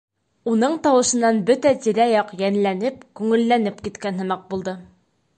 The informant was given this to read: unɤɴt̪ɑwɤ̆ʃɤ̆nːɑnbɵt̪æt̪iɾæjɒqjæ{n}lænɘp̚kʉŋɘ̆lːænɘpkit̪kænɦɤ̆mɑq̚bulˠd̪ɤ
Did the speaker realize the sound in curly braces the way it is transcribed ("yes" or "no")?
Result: yes